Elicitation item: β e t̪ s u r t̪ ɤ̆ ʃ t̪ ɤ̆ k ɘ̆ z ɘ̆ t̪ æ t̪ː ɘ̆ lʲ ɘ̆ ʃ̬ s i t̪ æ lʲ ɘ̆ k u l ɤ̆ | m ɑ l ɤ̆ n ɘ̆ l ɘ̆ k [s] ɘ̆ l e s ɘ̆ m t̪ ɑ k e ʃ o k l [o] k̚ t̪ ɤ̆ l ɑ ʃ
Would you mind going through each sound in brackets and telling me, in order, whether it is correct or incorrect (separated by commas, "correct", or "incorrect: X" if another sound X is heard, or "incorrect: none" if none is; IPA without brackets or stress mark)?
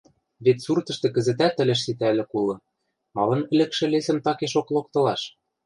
incorrect: ʃ, correct